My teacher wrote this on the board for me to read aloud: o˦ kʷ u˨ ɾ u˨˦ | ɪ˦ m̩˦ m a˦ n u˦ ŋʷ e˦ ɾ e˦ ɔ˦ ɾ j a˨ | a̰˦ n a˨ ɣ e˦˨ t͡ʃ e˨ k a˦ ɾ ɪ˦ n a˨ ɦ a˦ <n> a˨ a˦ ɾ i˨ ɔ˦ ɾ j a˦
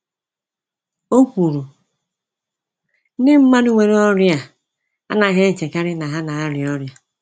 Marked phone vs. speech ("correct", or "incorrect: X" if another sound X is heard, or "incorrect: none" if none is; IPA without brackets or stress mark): correct